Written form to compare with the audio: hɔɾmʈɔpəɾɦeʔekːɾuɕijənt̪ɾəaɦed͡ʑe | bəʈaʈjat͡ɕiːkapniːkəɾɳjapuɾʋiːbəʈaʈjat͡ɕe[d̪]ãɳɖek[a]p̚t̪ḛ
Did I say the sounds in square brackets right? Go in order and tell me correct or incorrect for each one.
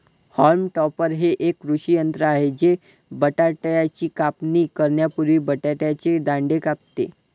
correct, correct

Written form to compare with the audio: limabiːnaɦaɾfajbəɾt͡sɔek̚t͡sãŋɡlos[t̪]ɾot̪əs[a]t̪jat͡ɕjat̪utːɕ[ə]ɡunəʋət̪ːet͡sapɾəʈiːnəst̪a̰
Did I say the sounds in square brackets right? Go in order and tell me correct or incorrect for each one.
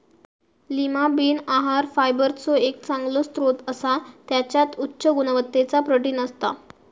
correct, correct, correct

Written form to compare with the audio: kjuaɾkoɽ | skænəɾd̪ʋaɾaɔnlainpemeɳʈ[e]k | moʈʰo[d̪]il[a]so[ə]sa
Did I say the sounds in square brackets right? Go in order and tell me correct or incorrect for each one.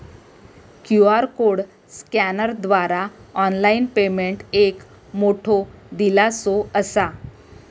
correct, correct, correct, correct

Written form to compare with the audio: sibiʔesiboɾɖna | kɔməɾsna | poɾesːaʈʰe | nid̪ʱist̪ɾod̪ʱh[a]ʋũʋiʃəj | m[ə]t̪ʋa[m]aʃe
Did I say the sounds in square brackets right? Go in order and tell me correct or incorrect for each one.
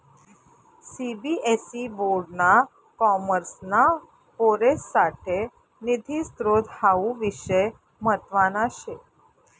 correct, correct, incorrect

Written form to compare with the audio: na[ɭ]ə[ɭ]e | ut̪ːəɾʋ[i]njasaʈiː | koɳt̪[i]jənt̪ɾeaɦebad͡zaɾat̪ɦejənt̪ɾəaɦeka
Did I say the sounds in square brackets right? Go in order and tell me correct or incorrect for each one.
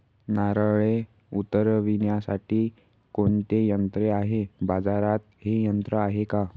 incorrect, correct, correct, incorrect

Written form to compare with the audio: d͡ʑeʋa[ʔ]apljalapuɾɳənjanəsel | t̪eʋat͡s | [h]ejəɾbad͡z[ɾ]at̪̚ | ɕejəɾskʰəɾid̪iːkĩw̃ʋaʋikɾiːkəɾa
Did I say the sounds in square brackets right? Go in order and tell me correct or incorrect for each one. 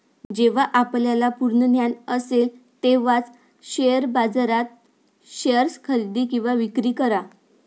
correct, incorrect, correct

